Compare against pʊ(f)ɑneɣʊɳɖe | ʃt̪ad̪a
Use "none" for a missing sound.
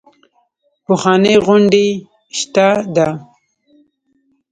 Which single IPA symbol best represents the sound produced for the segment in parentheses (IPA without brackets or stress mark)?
x